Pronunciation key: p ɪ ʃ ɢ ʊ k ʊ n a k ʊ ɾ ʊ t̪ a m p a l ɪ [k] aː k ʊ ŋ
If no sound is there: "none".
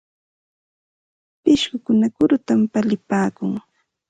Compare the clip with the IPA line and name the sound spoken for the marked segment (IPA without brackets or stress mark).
p